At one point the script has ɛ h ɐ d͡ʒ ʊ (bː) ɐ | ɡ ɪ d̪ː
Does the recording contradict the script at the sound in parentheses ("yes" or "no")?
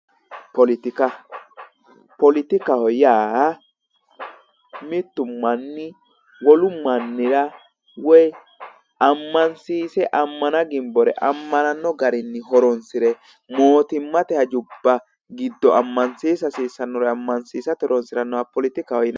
no